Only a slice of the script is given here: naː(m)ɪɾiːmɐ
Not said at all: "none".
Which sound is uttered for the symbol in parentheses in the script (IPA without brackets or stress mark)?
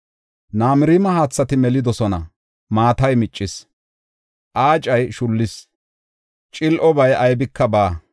m